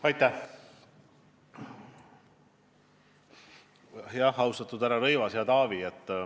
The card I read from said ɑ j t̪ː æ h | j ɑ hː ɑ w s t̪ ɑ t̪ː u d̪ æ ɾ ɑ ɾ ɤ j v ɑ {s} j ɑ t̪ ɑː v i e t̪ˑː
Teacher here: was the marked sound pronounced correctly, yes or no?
yes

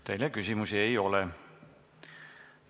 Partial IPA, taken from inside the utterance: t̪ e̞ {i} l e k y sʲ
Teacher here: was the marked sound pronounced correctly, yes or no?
no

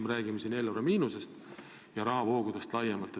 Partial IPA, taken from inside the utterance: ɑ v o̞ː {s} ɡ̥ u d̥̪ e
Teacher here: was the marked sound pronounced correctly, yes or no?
no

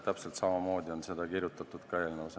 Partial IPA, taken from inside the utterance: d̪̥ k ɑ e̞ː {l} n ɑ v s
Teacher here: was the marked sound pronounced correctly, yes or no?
yes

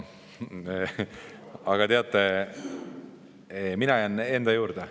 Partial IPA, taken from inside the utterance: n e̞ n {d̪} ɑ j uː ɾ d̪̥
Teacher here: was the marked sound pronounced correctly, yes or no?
yes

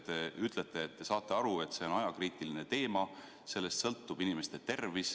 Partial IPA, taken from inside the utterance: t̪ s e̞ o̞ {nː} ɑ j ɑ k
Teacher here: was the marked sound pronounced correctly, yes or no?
no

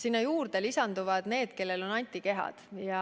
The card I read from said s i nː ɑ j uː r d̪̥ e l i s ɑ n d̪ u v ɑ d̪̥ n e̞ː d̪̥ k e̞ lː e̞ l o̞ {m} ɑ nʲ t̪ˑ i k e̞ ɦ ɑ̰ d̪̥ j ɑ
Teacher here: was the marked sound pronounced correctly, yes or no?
no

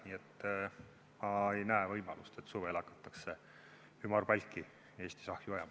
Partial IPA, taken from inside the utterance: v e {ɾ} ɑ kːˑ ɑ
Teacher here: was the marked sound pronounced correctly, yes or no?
no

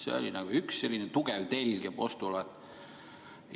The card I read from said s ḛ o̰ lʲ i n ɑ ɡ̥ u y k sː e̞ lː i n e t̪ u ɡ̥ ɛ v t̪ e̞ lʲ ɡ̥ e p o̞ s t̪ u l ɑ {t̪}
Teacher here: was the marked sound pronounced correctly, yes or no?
yes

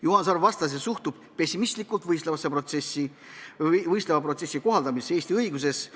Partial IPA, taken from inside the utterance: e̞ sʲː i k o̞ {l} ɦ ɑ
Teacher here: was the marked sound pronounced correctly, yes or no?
no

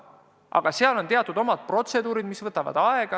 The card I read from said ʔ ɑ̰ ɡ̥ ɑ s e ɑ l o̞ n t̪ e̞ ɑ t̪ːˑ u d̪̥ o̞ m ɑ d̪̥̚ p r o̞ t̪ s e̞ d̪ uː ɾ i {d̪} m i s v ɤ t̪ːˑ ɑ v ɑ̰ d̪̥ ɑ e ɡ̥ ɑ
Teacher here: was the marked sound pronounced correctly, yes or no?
yes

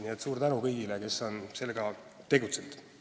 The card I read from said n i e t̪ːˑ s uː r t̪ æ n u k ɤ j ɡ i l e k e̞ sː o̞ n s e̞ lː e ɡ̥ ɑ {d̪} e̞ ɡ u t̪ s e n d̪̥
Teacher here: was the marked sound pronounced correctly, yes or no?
no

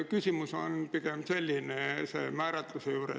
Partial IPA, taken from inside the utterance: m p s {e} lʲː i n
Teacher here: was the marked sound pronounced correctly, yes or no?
yes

